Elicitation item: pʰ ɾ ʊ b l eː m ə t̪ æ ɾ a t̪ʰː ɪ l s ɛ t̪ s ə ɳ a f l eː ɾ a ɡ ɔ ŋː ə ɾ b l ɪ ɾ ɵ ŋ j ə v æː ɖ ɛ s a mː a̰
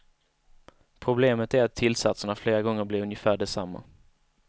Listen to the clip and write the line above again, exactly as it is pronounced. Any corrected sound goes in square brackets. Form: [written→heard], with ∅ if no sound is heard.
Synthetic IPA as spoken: pʰ ɾ ʊ b l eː m ə t̪ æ ɾ a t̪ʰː ɪ l s [ɛ→a] t̪ s ə ɳ a f l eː ɾ a ɡ ɔ ŋː ə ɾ b l ɪ ɾ ɵ [ŋ→n] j ə [v→f] æː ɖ ɛ s a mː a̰